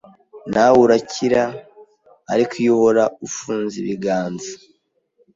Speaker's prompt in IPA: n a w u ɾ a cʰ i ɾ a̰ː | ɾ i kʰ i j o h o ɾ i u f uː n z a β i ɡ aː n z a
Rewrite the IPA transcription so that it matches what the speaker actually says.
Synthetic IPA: n a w u ɾ a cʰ i ɾ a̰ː | ɾ i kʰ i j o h o ɾ a u f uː n z i β i ɡ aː n z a